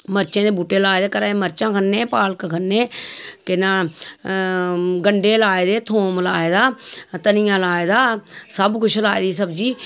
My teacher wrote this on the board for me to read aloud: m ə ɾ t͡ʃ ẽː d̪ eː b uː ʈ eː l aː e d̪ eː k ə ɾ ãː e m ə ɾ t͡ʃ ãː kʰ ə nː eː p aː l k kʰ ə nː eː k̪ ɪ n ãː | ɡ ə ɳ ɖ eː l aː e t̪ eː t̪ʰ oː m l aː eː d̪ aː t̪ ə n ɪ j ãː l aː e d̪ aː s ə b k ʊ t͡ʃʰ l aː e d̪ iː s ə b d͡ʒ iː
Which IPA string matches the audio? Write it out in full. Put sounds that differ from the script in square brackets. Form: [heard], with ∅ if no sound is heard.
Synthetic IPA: m ə ɾ t͡ʃ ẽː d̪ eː b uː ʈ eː l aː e d̪ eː k ə ɾ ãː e m ə ɾ t͡ʃ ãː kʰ ə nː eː p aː l k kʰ ə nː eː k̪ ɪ n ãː | ɡ ə ɳ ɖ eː l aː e [d̪] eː t̪ʰ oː m l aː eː d̪ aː t̪ ə n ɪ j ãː l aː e d̪ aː s ə b k ʊ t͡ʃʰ l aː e d̪ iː s ə b d͡ʒ iː